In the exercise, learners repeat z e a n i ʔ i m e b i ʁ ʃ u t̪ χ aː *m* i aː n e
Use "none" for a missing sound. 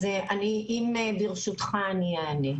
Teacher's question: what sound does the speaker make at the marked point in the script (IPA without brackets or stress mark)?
n